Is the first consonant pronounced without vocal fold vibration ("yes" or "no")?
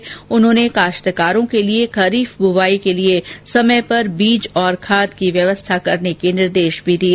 no